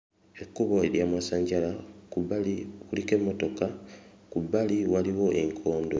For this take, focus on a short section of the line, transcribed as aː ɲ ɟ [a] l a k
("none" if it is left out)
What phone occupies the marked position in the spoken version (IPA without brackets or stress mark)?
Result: a